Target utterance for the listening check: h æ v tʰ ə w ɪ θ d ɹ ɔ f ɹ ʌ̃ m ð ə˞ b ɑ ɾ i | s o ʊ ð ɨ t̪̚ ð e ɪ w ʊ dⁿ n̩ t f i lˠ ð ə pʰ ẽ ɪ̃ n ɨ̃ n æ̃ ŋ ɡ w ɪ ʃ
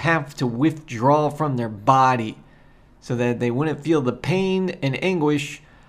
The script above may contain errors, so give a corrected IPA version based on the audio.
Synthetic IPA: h æ f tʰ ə w ɪ θ d ɹ ɔ f ɹ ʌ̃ m ð ə˞ b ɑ ɾ i | s o ʊ ð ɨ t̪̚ ð e ɪ w ʊ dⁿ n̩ t f i lˠ ð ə pʰ ẽ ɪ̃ n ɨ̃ n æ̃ ŋ ɡ w ɪ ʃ